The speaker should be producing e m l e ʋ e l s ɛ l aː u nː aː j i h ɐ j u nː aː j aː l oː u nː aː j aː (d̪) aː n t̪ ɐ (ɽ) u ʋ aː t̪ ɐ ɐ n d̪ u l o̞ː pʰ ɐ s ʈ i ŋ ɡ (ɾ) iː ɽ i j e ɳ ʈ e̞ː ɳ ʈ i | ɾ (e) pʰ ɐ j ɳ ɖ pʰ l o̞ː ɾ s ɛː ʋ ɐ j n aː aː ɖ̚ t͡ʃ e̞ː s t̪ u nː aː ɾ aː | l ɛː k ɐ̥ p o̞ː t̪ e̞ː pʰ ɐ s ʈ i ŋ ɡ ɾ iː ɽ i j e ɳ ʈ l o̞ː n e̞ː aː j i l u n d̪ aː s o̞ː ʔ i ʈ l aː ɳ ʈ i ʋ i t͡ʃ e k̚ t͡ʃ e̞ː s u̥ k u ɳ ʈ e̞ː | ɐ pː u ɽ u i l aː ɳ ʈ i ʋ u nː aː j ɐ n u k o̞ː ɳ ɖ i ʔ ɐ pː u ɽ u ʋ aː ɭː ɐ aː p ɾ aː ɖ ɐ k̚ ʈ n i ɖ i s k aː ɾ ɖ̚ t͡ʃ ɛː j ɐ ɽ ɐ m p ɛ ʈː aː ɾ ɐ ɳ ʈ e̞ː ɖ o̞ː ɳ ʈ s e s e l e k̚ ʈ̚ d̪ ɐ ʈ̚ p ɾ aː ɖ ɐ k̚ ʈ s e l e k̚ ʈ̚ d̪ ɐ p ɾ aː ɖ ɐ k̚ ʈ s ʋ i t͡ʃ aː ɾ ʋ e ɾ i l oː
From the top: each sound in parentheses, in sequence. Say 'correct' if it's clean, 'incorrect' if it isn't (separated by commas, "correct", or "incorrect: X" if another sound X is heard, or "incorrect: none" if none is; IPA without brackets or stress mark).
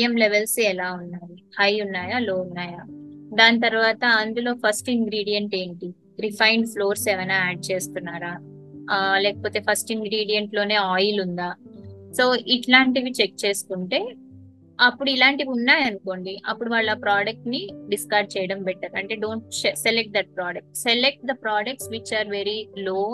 correct, incorrect: ɾ, correct, incorrect: i